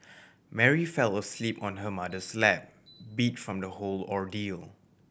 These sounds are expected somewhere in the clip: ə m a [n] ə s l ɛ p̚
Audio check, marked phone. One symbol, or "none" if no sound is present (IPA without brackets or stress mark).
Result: d